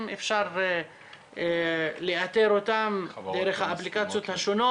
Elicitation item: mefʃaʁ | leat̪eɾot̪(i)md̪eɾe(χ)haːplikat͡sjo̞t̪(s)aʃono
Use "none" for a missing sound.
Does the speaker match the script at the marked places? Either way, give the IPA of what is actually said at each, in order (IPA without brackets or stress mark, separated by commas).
a, χ, h